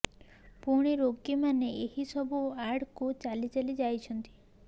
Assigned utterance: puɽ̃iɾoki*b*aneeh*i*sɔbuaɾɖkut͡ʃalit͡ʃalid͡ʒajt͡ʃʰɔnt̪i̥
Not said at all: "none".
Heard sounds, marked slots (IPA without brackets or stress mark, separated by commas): m, i